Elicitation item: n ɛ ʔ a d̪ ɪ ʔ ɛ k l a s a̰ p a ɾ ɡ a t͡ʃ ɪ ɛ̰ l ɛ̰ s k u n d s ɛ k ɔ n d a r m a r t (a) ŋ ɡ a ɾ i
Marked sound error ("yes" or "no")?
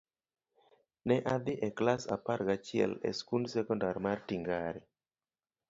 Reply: yes